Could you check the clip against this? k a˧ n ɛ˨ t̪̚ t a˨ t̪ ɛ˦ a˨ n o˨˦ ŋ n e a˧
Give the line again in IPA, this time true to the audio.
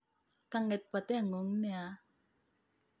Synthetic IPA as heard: k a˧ ŋ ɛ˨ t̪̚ p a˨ t̪ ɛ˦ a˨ ŋ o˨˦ ŋ n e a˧